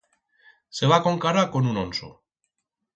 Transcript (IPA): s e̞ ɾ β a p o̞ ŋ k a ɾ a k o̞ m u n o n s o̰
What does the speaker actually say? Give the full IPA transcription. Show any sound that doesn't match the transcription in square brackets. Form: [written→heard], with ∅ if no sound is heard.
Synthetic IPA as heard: s e̞ [ɾ→∅] β a [p→k] o̞ ŋ k a ɾ a k o̞ [m→n] u n o n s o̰